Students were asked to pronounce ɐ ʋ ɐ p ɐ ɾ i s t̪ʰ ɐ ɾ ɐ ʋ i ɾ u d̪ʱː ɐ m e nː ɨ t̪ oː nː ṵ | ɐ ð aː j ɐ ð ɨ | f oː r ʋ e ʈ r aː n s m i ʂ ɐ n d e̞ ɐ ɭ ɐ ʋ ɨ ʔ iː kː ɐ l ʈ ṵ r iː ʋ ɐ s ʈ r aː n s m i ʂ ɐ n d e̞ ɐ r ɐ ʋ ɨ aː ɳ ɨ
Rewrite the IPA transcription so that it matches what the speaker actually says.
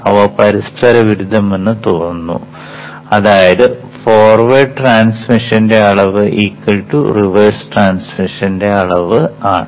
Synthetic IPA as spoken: ɐ ʋ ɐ p ɐ ɾ i s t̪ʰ ɐ ɾ ɐ ʋ i ɾ u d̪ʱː ɐ m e nː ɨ t̪ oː nː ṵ | ɐ ð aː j ɐ ð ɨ | f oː r ʋ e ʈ r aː n s m i ʂ ɐ n d e̞ ɐ ɭ ɐ ʋ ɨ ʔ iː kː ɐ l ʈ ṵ r i ʋ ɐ s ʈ r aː n s m i ʂ ɐ n d e̞ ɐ ɭ ɐ ʋ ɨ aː ɳ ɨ